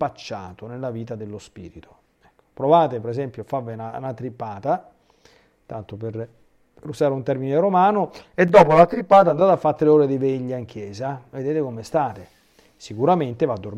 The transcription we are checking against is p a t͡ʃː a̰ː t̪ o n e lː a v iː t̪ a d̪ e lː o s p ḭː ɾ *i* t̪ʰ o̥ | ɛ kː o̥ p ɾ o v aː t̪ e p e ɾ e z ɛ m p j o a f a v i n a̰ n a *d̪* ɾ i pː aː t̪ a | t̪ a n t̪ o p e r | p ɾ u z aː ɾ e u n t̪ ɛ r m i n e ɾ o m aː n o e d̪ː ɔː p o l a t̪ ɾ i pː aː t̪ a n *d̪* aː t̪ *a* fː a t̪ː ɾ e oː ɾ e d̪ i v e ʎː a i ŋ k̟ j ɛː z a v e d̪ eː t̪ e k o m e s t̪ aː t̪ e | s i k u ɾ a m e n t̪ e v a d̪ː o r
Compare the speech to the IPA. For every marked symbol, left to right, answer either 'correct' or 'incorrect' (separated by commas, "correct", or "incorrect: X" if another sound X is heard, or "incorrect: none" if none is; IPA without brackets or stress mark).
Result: correct, incorrect: t̪, correct, correct